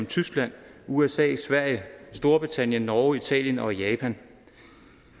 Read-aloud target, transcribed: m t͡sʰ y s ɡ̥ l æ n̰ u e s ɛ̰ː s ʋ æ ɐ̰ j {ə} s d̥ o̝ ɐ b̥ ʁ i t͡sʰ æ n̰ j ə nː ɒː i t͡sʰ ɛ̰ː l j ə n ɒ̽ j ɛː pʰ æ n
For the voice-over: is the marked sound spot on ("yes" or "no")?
yes